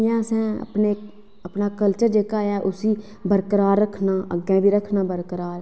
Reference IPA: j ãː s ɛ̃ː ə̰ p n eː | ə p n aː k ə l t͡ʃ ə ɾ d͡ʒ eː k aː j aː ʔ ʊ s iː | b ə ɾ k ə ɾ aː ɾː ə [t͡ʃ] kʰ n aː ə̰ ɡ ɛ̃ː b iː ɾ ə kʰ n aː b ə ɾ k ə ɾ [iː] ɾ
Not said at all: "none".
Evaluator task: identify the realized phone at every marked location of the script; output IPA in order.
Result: none, aː

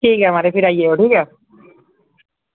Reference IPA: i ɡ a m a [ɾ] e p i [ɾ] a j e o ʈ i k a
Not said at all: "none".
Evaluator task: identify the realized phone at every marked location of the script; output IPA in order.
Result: ɾ, ɾ

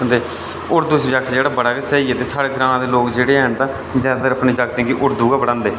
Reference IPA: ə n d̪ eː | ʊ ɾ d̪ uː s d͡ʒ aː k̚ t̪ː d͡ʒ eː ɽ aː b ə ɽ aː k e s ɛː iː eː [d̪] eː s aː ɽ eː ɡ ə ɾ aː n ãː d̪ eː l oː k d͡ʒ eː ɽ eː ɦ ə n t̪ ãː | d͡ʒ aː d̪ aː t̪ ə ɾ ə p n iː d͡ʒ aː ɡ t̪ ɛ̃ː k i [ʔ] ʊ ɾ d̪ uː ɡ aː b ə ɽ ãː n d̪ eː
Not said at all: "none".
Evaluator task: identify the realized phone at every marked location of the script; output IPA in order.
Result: t̪, ʔ

